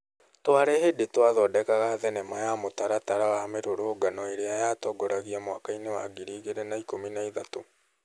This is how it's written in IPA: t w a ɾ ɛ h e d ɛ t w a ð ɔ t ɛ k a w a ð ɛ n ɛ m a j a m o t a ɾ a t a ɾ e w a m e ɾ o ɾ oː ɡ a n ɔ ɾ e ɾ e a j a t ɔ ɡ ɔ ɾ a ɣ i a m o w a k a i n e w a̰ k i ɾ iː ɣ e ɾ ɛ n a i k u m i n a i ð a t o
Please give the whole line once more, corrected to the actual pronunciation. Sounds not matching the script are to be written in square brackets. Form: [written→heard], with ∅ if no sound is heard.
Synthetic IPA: t w a ɾ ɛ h e d [ɛ→e] t w a ð ɔ [t→d] ɛ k a [w→ɣ] a ð ɛ n ɛ m a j a m o t a ɾ a t a ɾ [e→a] w a m e ɾ o ɾ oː ɡ a n ɔ [ɾ→∅] e ɾ e a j a t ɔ ɡ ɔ ɾ a ɣ i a m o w a k a i n e w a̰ [k→ɡ] i ɾ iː ɣ e ɾ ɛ n a i k [u→o] m i n a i ð a t o

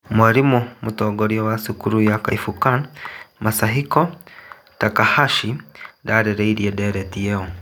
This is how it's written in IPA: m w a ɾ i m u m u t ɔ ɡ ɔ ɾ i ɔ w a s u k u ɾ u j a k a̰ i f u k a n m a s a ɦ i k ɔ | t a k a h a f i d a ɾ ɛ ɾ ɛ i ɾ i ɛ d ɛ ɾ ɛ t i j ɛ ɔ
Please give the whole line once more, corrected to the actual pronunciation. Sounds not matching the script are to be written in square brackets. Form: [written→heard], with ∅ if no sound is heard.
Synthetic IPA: m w a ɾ i m u m u t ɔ ɡ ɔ ɾ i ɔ w a s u k u ɾ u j a k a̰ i f u k a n m a s a ɦ i k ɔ | t a k a h a [f→ʃ] i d a ɾ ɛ ɾ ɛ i ɾ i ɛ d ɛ ɾ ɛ t i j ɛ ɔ

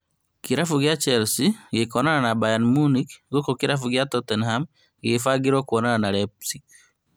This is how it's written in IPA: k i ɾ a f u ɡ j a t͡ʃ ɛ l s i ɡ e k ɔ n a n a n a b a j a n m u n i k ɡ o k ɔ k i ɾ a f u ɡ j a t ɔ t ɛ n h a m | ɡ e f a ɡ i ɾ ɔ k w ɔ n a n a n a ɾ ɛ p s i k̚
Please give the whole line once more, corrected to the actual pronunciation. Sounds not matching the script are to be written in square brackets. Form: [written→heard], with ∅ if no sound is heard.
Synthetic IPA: k i ɾ a f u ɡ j a t͡ʃ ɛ l s i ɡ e k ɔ n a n a n a b a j a n m u n i k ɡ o k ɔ k i ɾ a f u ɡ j a t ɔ t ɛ n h a m | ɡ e f a ɡ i ɾ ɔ k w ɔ n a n a n a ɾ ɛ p s i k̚

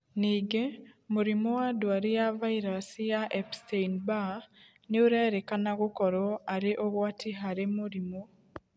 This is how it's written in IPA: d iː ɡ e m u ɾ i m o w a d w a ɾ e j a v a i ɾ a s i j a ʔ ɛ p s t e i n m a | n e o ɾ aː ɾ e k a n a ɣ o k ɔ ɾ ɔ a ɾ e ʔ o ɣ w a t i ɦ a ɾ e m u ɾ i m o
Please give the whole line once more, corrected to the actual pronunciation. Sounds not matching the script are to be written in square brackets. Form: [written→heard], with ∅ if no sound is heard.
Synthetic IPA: [d→n] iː ɡ e m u ɾ i m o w a d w a ɾ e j a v a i ɾ a s i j a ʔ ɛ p s t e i n [m→b] a | n e o ɾ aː ɾ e k a n a ɣ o k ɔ ɾ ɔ a ɾ e ʔ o ɣ w a t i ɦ a ɾ e m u ɾ i m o

